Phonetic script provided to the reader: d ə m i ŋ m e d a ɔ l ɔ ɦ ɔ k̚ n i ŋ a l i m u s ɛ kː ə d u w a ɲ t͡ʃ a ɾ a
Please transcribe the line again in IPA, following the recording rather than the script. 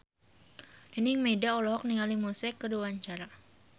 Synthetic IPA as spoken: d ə n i ŋ m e d a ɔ l ɔ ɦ ɔ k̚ n i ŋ a l i m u s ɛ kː ə d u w a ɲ t͡ʃ a ɾ a